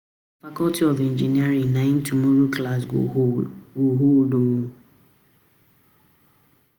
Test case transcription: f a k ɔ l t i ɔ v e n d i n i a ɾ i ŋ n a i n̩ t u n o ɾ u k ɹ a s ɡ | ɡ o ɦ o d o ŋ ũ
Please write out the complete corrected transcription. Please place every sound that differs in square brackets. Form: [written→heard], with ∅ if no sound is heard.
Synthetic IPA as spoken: f a k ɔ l t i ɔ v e n [d→d͡ʒ] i n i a ɾ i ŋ n a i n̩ t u [n→m] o ɾ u k [ɹ→l] a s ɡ | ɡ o ɦ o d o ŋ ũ